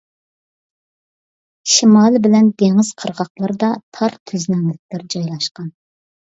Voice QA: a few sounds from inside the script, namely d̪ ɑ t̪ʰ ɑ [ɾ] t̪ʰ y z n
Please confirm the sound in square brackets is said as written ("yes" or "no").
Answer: yes